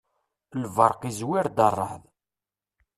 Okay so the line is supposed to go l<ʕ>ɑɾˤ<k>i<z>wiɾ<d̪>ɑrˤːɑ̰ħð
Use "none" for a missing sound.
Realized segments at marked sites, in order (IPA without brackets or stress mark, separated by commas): v, q, z, d̪